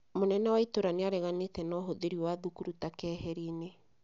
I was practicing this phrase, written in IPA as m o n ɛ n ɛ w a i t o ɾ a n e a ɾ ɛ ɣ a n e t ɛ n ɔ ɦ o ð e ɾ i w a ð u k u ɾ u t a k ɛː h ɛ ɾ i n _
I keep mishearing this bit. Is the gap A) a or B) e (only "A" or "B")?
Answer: B